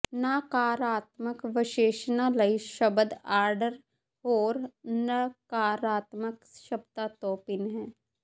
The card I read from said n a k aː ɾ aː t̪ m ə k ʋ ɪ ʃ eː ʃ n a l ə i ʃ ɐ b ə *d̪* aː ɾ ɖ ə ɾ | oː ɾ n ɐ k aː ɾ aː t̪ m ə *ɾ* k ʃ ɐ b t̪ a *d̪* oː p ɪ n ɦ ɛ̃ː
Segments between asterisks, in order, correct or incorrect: correct, incorrect: none, incorrect: t̪

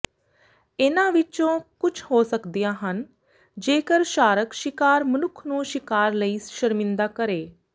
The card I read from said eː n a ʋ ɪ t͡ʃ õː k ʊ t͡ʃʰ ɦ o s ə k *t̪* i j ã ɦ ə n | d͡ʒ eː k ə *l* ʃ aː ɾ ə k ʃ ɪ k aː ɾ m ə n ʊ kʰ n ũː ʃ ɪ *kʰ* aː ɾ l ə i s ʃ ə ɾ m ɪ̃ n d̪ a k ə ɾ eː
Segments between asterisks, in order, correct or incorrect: incorrect: d̪, incorrect: ɾ, incorrect: k

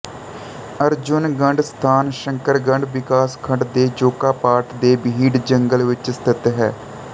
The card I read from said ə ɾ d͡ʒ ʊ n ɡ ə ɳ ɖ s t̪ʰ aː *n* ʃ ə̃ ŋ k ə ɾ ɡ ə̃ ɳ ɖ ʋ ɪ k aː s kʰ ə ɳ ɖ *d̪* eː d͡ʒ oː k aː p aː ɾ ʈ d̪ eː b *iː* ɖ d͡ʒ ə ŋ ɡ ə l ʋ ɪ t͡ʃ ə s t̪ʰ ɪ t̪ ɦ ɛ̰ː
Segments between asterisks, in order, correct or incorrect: correct, correct, correct

